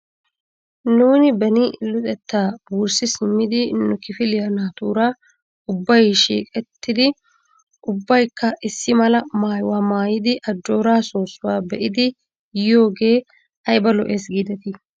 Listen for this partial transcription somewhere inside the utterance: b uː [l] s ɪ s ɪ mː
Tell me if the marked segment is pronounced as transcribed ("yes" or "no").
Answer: no